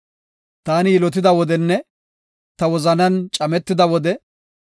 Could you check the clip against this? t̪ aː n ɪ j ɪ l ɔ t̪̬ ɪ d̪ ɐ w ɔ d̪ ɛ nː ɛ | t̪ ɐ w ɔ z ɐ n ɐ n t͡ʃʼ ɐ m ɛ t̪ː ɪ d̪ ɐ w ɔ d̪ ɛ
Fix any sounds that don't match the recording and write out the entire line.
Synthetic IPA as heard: t̪ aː n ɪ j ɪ l ɔ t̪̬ ɪ d̪ ɐ w ɔ d̪ ɛ nː ɛ | t̪ ɐ w ɔ z ɐ n ɐ n t͡ʃʼ ɐ m ɛ t̪ː ɪ d̪ ɐ w ɔ d̪ ɛ